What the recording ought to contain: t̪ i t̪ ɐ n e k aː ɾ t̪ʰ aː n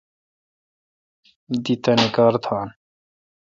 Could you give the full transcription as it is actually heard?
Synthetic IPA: d̪ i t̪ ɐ n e k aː ɾ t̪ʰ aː n